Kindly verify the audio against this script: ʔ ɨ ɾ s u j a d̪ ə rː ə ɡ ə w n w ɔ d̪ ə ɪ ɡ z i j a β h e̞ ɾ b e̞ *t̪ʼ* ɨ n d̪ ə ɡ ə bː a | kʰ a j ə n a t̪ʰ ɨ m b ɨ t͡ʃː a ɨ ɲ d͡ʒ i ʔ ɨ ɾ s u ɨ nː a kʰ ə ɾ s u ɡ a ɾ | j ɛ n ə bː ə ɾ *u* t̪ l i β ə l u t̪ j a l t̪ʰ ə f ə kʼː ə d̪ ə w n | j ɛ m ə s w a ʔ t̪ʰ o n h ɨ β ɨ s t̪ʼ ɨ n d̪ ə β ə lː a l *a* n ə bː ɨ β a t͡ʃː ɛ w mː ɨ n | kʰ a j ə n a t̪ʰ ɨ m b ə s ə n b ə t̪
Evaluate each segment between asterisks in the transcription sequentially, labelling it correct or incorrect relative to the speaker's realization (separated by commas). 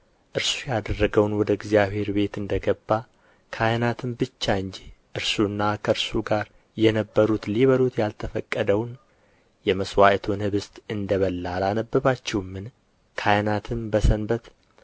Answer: incorrect, correct, correct